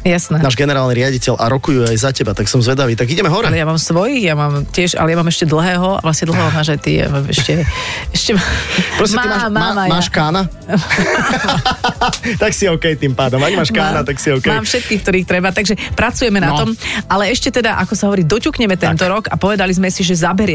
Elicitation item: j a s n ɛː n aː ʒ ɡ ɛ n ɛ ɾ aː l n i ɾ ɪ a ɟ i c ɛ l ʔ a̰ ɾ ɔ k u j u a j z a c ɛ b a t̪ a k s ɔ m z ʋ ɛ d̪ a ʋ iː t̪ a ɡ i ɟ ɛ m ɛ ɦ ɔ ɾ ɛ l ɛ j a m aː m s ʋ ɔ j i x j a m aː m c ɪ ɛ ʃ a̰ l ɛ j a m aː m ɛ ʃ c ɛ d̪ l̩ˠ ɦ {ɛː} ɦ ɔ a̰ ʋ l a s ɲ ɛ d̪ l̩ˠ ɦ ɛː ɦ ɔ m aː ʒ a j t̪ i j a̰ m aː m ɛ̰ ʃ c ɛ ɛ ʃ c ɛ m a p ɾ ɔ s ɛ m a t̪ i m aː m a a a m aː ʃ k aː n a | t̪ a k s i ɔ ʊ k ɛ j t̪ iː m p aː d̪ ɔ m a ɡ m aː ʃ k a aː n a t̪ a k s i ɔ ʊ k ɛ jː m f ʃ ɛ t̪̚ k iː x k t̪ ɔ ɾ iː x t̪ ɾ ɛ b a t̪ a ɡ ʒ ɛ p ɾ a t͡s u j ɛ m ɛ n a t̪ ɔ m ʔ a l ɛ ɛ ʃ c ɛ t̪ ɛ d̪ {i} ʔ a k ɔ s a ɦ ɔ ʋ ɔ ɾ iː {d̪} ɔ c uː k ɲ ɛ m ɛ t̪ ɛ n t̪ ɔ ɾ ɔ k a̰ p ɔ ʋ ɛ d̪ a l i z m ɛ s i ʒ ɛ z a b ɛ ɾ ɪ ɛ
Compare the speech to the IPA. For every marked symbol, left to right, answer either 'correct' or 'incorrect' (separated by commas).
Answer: correct, incorrect, correct